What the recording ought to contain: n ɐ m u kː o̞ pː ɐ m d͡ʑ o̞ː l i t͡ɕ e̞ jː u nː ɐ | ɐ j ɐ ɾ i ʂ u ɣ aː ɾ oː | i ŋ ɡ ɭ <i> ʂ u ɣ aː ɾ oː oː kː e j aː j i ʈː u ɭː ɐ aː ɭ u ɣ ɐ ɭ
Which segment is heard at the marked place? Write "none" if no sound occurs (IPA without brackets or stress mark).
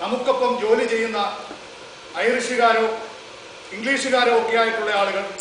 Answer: iː